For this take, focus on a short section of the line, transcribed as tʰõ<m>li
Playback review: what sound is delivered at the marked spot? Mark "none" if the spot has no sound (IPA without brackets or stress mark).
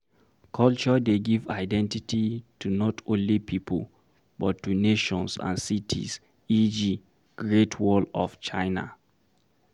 n